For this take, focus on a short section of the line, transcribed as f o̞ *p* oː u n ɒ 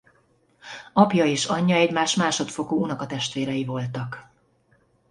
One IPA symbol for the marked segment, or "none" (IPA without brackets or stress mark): k